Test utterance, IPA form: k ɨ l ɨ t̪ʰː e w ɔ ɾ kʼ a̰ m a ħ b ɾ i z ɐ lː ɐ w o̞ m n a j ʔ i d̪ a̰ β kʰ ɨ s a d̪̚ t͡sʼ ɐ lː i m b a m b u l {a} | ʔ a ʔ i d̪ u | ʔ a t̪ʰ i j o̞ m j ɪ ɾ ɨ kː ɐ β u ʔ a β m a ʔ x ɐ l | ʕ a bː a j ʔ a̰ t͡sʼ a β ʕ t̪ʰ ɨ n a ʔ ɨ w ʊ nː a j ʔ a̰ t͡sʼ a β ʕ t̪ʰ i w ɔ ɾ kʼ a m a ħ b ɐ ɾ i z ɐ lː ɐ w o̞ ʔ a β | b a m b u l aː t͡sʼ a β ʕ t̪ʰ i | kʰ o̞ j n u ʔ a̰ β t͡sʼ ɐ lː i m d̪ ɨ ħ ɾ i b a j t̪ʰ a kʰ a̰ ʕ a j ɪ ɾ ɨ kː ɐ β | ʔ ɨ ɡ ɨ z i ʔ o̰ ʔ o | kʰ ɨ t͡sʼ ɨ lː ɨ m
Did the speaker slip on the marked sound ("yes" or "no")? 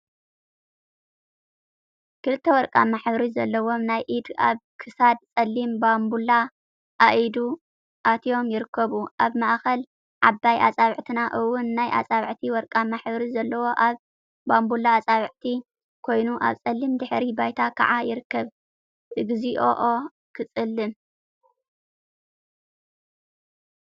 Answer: no